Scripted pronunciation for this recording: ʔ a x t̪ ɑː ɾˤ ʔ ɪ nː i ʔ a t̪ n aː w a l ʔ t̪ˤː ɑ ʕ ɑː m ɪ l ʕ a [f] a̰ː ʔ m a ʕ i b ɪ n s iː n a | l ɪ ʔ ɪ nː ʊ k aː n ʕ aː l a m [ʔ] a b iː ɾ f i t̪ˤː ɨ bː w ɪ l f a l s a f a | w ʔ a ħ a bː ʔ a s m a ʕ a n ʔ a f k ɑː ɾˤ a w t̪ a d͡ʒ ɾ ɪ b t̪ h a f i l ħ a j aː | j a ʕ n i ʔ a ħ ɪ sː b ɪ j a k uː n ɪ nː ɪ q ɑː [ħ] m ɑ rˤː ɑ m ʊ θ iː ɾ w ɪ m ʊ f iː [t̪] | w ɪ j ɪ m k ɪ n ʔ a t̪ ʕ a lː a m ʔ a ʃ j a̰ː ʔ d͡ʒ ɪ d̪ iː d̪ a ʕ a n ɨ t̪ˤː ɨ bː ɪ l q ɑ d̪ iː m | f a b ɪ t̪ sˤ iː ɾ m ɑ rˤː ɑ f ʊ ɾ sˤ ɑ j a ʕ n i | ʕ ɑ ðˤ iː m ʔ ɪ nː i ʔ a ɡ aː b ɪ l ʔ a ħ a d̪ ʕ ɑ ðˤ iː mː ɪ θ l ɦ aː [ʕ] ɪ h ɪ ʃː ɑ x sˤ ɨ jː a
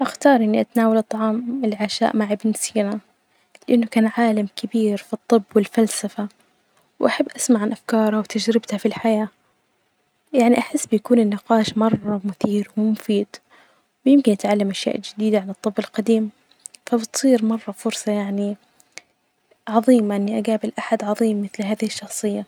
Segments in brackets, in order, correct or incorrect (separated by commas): incorrect, incorrect, incorrect, incorrect, incorrect